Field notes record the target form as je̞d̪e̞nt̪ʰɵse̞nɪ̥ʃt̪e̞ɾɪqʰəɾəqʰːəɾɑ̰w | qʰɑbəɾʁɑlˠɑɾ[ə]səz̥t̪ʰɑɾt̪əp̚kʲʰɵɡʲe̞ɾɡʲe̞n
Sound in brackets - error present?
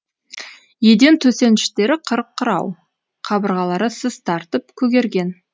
no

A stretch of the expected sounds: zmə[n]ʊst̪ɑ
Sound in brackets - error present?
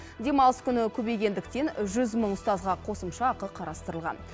yes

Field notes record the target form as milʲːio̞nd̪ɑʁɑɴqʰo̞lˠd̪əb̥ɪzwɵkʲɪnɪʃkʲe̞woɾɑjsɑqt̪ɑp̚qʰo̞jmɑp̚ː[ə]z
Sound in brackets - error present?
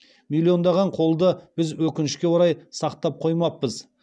no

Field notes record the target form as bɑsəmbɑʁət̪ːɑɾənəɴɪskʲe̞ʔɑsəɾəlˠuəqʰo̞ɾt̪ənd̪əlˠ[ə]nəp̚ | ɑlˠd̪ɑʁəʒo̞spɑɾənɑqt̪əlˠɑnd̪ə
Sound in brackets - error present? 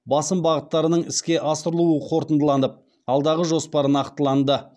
yes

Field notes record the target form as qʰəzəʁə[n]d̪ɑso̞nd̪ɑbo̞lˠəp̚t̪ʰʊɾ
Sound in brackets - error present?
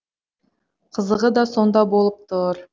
yes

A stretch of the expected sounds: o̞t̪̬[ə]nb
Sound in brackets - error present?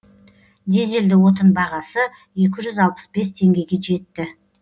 no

